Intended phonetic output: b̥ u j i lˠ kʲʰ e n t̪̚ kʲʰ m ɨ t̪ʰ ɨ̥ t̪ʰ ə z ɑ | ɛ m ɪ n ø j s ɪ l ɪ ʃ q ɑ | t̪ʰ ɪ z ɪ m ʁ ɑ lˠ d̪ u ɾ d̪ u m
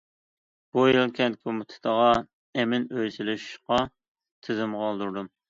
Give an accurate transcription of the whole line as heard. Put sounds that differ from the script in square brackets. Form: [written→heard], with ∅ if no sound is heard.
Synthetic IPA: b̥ u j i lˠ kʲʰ [e→ɛ] n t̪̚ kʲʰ m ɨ t̪ʰ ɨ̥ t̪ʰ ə [z→ʁ] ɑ | ɛ m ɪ n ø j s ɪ l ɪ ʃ q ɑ | t̪ʰ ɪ z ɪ m ʁ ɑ lˠ d̪ u ɾ d̪ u m